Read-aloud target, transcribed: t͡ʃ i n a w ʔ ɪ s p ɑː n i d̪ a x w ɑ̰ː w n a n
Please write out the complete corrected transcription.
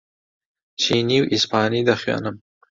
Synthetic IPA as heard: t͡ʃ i n i w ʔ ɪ s p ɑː n i d̪ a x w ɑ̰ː n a m

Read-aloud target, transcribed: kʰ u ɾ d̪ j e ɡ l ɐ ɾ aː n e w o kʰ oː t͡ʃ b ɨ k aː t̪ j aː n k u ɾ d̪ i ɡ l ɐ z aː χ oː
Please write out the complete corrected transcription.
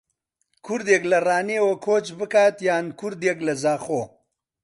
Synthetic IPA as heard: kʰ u ɾ d̪ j e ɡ l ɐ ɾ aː n e w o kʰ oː t͡ʃ b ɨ k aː t̪ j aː n k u ɾ d̪ e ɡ l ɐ z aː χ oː

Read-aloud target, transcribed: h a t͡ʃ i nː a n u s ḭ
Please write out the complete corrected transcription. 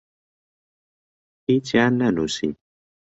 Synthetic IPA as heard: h i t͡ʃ a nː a n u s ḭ

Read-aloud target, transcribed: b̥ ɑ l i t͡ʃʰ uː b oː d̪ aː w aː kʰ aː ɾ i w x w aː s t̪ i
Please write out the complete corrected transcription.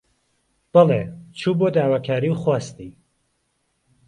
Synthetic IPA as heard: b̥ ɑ l e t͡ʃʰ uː b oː d̪ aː w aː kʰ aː ɾ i w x w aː s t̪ i

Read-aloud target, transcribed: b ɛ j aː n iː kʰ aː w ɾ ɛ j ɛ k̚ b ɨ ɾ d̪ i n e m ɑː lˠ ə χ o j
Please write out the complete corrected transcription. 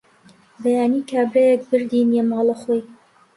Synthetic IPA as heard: b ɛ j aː n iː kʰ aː b ɾ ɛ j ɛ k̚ b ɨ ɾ d̪ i n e m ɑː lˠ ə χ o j

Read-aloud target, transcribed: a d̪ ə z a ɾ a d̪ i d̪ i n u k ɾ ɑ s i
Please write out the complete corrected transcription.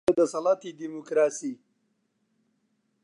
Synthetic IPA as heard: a d̪ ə s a l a t̪ i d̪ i m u k ɾ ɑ s i

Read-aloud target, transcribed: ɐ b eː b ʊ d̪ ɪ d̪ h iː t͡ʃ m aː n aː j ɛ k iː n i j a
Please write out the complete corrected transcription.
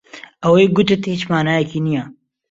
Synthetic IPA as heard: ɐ w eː ɡ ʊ t̪ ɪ t̪ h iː t͡ʃ m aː n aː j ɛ k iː n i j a

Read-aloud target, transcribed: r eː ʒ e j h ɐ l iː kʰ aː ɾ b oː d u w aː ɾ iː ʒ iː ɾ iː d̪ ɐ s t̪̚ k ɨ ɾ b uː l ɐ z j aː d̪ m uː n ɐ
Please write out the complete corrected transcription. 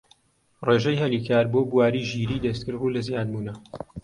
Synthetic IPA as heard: r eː ʒ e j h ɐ l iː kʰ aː ɾ b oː b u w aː ɾ iː ʒ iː ɾ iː d̪ ɐ s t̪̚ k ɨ ɾ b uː l ɐ z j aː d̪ m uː n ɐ

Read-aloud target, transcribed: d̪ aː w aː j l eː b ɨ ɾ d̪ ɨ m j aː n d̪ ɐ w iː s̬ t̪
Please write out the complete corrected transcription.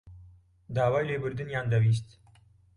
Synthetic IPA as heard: d̪ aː w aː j l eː b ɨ ɾ d̪ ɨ n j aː n d̪ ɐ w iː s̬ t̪

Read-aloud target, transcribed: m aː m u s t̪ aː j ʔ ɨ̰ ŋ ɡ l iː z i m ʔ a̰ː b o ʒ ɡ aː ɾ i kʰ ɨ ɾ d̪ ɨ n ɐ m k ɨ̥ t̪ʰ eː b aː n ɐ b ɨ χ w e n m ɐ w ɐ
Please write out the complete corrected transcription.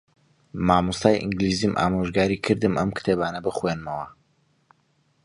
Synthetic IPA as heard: m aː m u s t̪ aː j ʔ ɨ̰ ŋ ɡ l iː z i m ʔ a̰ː m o ʒ ɡ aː ɾ i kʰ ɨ ɾ d̪ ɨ m ɐ m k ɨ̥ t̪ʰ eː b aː n ɐ b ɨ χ w e n m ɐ w ɐ

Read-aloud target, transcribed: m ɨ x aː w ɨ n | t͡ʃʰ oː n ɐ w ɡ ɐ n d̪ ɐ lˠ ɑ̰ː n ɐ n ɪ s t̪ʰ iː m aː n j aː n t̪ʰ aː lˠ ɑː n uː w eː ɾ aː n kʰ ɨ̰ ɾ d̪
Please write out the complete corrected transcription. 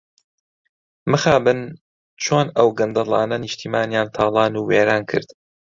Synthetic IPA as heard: m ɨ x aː b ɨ n | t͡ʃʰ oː n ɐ w ɡ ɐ n d̪ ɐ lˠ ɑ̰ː n ɐ n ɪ ʃ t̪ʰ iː m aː n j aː n t̪ʰ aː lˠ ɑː n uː w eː ɾ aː n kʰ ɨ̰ ɾ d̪

